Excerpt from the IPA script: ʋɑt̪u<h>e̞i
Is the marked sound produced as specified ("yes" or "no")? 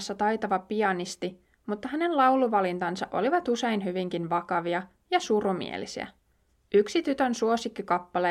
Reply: no